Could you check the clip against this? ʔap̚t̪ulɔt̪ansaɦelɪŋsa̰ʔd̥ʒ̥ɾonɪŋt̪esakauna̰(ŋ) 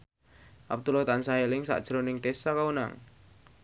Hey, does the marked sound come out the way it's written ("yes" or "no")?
yes